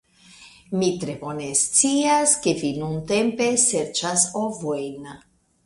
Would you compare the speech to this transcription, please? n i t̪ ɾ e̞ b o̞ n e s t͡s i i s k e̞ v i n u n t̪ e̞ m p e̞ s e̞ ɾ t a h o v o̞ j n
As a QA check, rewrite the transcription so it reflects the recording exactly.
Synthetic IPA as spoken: m i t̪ ɾ e̞ b o̞ n e s t͡s i a s k e̞ v i n u n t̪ e̞ m p e̞ s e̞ ɾ t͡ʃ a s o v o̞ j n